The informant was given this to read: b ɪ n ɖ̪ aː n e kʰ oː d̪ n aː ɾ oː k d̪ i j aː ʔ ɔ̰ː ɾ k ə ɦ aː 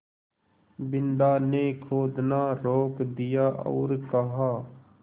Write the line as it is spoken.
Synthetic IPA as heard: b ɪ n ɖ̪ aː n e kʰ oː d̪ n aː ɾ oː k d̪ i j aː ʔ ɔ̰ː ɾ k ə ɦ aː